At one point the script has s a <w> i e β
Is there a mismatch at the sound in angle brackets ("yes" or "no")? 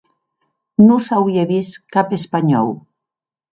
no